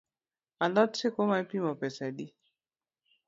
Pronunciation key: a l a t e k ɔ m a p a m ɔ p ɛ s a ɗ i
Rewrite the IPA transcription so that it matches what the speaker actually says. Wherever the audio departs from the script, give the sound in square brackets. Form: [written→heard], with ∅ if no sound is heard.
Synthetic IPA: a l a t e k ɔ m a p [a→i] m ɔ p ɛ s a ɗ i